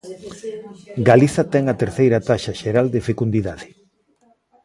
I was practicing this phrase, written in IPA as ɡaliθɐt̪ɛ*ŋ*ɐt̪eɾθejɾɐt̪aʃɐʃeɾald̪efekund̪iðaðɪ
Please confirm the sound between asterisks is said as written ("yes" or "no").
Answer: yes